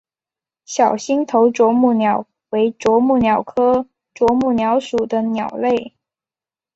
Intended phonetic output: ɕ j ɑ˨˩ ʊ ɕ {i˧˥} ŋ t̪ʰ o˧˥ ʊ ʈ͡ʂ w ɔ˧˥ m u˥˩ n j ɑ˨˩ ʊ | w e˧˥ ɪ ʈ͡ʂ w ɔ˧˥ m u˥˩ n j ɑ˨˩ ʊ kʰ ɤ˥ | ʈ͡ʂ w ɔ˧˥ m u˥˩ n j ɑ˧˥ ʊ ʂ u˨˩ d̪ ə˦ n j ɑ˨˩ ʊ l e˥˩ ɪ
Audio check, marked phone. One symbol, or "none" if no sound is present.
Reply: i˥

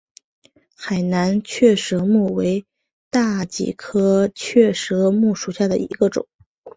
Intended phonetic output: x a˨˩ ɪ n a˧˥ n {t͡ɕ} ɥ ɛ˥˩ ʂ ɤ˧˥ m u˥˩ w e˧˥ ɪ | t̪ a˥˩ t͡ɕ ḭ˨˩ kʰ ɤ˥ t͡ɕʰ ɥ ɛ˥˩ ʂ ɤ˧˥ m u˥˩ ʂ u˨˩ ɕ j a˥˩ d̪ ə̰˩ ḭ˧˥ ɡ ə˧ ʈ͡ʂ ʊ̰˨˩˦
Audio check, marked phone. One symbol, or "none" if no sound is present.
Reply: t͡ɕʰ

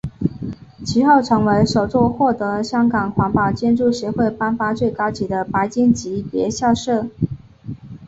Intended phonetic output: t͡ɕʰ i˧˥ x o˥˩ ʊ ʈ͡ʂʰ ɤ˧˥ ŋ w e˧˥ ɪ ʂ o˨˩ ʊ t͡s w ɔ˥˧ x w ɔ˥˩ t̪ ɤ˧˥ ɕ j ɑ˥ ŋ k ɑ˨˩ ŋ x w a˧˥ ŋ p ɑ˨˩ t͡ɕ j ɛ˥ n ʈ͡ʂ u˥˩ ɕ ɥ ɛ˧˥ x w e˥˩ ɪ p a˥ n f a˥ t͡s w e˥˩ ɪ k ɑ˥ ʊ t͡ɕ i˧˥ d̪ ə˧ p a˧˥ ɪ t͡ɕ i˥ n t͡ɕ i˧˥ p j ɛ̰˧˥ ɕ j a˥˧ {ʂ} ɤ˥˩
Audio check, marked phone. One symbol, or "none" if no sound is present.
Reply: ʂ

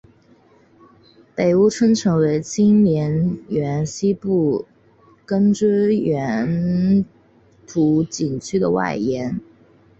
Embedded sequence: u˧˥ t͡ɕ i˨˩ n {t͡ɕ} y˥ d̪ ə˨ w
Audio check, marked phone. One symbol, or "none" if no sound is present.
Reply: t͡ɕʰ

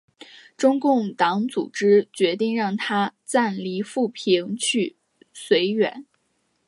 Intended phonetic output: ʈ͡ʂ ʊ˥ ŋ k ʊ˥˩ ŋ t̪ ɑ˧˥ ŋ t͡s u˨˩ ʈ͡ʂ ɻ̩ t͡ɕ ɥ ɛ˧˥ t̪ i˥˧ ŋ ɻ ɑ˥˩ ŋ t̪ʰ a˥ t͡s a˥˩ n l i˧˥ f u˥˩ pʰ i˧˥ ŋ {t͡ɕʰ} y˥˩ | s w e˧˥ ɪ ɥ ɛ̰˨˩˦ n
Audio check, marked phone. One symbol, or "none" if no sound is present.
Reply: t͡ɕʰ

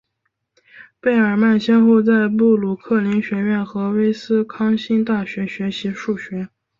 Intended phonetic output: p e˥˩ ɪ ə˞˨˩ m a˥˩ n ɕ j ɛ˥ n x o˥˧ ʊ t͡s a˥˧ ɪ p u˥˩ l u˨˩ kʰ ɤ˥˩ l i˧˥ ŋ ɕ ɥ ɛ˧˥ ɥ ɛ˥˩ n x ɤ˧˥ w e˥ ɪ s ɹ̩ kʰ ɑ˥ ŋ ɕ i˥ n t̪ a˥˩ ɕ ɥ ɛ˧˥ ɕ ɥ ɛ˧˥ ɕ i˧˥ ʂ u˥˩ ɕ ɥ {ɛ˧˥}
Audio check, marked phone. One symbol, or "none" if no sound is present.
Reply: ɛ˧˥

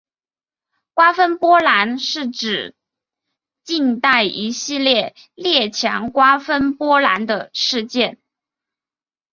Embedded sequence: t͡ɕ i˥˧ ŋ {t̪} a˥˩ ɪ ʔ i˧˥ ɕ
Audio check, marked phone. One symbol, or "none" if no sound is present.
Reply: t̪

